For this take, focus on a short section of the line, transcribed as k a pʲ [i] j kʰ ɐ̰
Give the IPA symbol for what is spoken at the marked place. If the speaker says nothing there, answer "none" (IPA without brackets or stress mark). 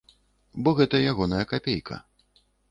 e